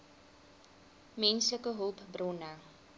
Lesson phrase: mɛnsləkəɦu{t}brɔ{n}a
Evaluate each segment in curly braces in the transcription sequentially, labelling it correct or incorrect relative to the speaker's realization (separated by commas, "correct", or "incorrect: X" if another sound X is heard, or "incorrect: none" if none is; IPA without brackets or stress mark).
incorrect: p, correct